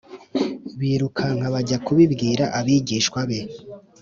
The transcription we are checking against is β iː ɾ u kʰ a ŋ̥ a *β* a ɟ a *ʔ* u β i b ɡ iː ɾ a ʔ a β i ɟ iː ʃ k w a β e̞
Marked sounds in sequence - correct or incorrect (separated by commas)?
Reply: correct, incorrect